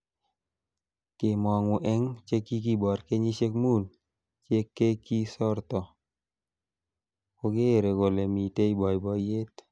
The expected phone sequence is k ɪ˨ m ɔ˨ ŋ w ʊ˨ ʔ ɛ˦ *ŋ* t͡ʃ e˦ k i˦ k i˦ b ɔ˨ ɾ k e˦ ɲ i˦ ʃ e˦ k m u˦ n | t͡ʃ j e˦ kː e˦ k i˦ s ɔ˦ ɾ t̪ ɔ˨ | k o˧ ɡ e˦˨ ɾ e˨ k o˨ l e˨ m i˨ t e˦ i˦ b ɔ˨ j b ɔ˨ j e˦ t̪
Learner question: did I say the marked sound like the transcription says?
yes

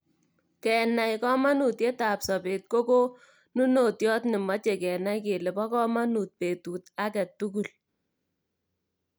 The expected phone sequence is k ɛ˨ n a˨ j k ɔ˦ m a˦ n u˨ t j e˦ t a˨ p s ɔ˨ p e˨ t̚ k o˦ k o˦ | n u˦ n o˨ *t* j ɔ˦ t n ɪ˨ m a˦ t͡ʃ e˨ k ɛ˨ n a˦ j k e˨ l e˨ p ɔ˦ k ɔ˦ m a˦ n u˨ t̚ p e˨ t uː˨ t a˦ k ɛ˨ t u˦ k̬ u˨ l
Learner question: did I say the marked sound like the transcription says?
yes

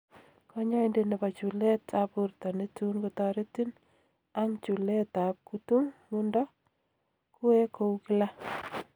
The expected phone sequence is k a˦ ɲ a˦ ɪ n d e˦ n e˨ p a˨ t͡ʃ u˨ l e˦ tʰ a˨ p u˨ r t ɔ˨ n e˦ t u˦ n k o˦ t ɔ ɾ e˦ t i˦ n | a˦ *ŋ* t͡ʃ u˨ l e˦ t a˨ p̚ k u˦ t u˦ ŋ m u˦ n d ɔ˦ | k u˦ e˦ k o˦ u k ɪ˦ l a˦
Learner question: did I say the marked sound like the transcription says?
yes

